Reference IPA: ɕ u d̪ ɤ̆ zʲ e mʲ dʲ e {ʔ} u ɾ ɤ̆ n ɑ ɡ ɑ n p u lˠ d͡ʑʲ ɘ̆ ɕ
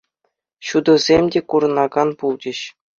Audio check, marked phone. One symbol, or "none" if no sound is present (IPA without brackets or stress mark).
k